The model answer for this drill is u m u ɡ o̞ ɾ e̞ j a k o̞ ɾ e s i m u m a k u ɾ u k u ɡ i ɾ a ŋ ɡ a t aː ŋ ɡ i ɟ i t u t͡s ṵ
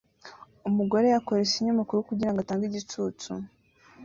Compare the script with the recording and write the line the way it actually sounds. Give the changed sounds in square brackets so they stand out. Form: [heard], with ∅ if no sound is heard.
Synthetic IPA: u m u ɡ o̞ ɾ e̞ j a k o̞ ɾ e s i [ɲ] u m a k u ɾ u k u [ɟ] i ɾ a ŋ ɡ a t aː ŋ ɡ i ɟ i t u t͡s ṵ

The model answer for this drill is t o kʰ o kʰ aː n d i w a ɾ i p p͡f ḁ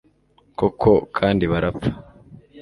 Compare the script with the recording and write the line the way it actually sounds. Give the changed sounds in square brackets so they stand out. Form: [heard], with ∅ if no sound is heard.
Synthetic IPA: [k] o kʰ o kʰ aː n d i [β] a ɾ [a] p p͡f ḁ

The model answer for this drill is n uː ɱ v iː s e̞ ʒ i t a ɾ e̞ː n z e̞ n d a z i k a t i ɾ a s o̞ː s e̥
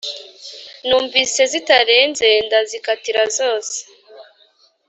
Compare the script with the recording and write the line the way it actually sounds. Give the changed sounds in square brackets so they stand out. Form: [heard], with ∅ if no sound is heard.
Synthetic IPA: n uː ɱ v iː s e̞ [z] i t a ɾ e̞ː n z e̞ n d a z i k a t i ɾ a [z] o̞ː s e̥

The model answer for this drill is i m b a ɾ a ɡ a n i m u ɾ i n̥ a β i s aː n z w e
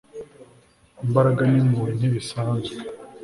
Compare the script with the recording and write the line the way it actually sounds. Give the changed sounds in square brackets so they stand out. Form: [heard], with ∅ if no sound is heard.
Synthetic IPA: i m b a ɾ a ɡ a n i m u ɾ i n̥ [i] β i s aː n z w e

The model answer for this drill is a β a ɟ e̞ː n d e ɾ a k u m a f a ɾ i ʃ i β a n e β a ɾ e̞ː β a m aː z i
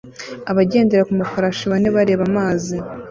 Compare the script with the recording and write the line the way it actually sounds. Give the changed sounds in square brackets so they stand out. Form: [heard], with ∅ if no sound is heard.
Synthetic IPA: a β a ɟ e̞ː n d e ɾ a k u m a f a ɾ [a] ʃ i β a n e β a ɾ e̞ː β a m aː z i

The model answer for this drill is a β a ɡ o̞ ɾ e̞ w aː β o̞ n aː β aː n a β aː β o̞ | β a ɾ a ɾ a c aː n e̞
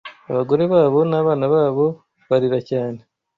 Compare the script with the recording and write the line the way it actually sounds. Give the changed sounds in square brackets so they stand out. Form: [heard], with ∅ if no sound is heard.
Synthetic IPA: a β a ɡ o̞ ɾ e̞ [β] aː β o̞ n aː β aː n a β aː β o̞ | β a ɾ [i] ɾ a c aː n e̞

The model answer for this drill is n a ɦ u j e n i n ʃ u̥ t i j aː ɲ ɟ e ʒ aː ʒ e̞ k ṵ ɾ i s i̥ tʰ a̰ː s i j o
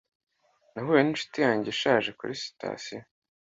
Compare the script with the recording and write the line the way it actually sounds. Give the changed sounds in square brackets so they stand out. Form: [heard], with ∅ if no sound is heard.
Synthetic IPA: n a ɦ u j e n i n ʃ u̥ t i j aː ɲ ɟ e [ʃ] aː ʒ e̞ k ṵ ɾ i s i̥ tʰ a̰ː s i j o

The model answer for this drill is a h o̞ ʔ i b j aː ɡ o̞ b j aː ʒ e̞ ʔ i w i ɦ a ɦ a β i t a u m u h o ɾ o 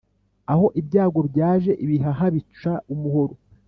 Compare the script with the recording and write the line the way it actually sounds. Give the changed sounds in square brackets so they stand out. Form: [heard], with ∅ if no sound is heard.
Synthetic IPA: a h o̞ ʔ i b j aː ɡ o̞ b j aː ʒ e̞ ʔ i [β] i ɦ a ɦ a β i [t͡ʃ] a u m u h o ɾ o

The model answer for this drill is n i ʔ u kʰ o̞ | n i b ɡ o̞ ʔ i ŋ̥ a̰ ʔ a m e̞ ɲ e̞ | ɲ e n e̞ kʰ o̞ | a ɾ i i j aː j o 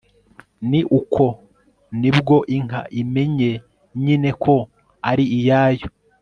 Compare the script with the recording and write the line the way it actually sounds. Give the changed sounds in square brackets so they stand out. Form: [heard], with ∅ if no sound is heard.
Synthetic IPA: n i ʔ u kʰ o̞ | n i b ɡ o̞ ʔ i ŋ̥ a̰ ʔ [i] m e̞ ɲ e̞ | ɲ [i] n e̞ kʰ o̞ | a ɾ i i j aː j o

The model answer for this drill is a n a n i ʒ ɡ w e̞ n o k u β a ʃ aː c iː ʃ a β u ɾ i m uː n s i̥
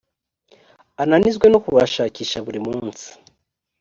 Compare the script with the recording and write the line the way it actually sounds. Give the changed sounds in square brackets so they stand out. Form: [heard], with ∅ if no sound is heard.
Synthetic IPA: a n a n i [z] ɡ w e̞ n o k u β a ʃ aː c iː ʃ a β u ɾ i m uː n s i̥

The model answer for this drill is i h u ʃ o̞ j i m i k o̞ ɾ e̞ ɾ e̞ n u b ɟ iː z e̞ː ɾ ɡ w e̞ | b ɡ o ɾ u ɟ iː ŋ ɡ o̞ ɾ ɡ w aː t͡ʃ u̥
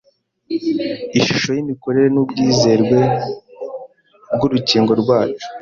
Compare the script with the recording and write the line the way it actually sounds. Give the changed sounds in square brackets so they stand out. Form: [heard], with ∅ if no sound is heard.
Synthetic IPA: i [ʃ] u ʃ o̞ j i m i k o̞ ɾ e̞ ɾ e̞ n u b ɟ iː z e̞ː ɾ ɡ w e̞ | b ɡ [u] ɾ u [c] iː ŋ ɡ o̞ ɾ ɡ w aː t͡ʃ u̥

